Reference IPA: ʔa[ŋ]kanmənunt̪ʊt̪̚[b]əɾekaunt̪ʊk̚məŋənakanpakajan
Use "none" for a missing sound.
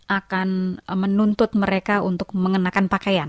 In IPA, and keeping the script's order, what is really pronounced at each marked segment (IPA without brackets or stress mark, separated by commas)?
none, m